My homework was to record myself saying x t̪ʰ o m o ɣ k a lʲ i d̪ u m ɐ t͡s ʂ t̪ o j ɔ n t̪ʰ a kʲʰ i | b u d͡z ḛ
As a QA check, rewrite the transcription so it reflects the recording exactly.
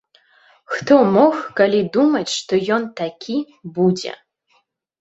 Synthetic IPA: x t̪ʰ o m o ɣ k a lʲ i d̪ u m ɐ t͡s ʂ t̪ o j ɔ n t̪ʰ a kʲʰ i | b u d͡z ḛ